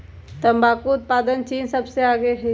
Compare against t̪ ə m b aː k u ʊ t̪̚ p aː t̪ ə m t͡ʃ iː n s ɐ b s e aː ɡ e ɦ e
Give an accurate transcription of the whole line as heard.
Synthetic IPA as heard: t̪ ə m b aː k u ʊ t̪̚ p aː d̪ ə n t͡ʃ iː n s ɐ b s e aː ɡ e ɦ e